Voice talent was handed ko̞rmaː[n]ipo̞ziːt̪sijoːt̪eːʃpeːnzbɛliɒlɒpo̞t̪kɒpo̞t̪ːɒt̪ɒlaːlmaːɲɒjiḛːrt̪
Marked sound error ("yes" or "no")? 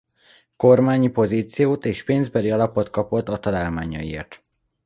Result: yes